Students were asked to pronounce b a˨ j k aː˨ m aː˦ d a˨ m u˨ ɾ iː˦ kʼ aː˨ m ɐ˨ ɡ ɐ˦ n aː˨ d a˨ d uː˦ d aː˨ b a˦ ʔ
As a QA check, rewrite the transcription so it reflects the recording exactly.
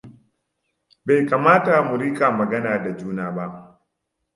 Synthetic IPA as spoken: b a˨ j k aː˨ m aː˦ t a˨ m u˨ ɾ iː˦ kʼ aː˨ m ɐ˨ ɡ ɐ˦ n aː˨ d a˨ d͡ʒ uː˦ n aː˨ b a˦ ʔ